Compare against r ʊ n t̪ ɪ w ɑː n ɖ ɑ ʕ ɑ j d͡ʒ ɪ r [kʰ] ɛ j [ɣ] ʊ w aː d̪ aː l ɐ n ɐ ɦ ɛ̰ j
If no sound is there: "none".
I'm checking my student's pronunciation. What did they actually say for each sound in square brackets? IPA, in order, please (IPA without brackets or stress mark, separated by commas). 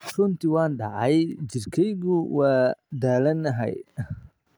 kʰ, ɣ